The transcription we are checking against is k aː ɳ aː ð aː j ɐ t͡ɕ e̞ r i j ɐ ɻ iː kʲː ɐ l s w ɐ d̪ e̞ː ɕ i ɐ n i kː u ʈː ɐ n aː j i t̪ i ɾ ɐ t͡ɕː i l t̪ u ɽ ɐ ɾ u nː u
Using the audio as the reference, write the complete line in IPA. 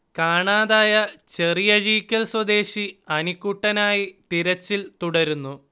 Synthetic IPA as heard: k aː ɳ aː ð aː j ɐ t͡ɕ e̞ r i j ɐ ɻ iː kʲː ɐ l s w ɐ d̪ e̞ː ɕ i ɐ n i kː u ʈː ɐ n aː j i t̪ i ɾ ɐ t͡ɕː i l t̪ u ɽ ɐ ɾ u nː u